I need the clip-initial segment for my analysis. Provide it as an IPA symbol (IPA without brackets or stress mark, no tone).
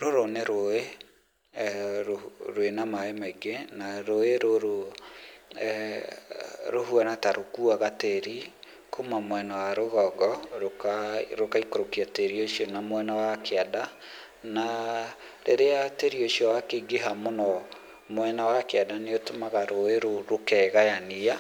ɾ